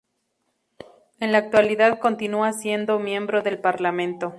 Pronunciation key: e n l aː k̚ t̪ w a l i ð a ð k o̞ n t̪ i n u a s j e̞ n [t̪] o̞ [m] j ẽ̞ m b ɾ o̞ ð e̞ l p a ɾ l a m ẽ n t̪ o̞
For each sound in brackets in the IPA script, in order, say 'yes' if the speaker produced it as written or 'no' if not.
no, yes

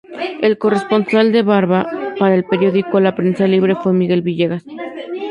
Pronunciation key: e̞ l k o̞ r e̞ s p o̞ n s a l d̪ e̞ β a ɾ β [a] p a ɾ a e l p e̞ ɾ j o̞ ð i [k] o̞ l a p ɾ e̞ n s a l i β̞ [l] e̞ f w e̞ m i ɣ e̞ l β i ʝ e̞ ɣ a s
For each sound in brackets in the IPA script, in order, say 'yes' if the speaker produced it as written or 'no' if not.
yes, yes, no

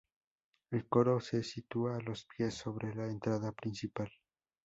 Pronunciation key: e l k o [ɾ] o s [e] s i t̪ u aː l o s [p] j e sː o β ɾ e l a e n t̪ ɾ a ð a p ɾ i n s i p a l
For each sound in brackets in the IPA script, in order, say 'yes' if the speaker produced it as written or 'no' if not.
yes, yes, yes

